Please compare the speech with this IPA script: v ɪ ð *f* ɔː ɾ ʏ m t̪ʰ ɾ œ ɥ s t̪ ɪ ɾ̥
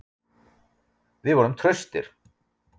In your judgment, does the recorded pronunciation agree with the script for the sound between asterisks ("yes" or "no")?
no